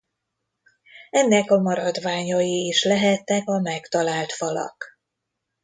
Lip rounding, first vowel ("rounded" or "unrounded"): unrounded